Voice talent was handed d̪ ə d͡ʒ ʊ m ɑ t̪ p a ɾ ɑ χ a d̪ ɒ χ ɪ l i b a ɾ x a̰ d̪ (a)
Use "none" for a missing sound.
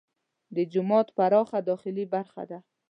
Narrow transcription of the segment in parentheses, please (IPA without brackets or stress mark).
a